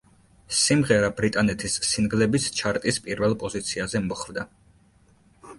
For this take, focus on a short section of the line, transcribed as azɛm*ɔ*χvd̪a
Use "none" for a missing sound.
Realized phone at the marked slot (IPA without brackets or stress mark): ɔ